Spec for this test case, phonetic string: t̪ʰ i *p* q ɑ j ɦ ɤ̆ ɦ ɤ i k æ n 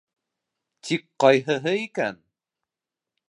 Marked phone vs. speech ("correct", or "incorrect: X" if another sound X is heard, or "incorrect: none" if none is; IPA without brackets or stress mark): incorrect: k